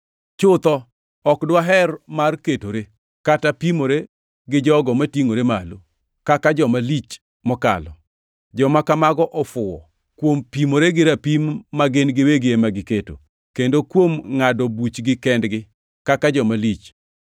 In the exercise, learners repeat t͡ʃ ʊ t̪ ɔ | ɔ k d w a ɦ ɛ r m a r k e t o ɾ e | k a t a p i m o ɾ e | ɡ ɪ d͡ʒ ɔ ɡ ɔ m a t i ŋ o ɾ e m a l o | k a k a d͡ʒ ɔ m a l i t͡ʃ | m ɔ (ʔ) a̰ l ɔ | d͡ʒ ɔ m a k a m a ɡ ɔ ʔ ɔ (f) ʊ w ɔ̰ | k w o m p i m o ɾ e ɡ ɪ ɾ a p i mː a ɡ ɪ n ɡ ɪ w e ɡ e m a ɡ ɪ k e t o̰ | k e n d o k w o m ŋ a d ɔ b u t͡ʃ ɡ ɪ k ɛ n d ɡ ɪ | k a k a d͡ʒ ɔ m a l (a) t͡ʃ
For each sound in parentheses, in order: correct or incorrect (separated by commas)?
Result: incorrect, correct, incorrect